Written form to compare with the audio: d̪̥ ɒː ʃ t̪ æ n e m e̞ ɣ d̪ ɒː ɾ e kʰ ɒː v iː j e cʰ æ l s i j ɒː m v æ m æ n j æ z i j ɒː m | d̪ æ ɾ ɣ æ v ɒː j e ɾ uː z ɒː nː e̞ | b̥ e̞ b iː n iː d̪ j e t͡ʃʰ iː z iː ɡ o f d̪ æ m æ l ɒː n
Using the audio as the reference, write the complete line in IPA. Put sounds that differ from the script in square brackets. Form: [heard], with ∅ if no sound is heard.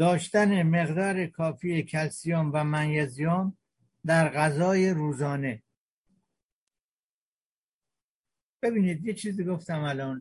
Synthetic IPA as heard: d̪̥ ɒː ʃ t̪ æ n e m e̞ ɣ d̪ ɒː ɾ e kʰ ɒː [f] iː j e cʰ æ l s i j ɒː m v æ m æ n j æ z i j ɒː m | d̪ æ ɾ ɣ æ [z] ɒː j e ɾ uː z ɒː [n] e̞ | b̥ e̞ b iː n iː d̪ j e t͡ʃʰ iː z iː ɡ o f [t̪] æ m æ l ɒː n